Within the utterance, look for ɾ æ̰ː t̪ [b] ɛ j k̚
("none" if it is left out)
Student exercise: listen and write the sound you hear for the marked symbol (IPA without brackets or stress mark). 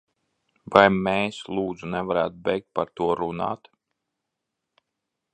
b